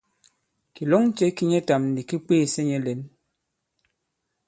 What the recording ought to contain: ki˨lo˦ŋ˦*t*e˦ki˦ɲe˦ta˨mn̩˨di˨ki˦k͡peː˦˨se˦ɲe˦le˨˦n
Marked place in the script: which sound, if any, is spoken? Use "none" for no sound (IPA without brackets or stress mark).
t͡ʃ